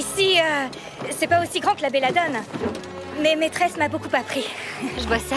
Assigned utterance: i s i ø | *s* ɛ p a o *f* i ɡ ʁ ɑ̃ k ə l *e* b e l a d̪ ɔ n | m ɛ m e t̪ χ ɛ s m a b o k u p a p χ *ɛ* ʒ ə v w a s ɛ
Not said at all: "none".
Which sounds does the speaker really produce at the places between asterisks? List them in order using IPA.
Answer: s, s, a, i

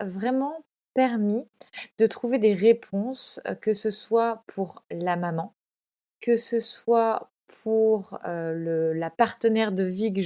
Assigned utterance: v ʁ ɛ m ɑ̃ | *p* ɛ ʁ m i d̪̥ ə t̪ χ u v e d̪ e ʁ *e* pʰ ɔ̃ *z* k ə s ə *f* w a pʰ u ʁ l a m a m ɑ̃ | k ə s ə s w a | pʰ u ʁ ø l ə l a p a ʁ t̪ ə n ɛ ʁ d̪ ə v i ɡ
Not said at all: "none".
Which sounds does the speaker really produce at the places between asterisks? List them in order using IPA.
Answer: p, e, s, s

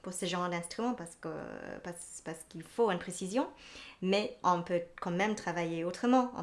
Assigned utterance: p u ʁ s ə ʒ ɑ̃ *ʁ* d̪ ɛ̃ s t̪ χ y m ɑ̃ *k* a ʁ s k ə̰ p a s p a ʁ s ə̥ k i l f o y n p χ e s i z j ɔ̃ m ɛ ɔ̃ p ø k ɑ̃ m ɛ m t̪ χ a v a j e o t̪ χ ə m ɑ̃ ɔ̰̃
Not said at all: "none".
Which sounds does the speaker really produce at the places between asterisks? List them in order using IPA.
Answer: ʁ, p

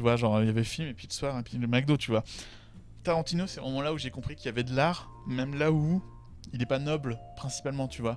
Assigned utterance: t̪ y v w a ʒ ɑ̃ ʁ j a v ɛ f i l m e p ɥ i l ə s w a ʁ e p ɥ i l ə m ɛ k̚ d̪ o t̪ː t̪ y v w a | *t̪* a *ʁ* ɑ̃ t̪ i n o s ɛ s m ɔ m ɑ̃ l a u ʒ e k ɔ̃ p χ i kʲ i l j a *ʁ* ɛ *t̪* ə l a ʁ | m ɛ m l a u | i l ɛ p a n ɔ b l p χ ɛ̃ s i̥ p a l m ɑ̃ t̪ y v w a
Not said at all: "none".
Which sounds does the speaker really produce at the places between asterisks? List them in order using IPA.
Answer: t̪, ʁ, v, d̪

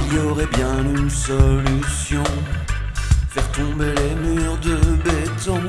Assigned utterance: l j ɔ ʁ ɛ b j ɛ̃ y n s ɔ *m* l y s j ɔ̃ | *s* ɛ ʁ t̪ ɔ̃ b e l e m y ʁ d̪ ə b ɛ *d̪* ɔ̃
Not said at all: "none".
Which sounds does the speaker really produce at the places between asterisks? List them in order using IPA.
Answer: none, f, t̪

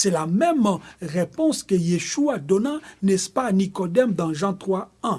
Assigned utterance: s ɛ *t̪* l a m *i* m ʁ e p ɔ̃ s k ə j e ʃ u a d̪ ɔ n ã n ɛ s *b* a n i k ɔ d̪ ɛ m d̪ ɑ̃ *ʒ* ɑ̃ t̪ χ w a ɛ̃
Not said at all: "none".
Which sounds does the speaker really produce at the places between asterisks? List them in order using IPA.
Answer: none, ɛ, p, ʒ

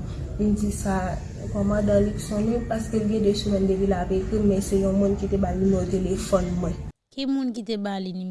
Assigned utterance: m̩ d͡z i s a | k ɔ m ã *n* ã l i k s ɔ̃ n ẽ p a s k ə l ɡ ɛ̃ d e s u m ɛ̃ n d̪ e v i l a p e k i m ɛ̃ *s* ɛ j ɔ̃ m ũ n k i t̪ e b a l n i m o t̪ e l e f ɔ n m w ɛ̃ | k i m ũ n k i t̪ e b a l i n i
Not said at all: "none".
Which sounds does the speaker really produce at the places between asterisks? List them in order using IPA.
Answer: d, s

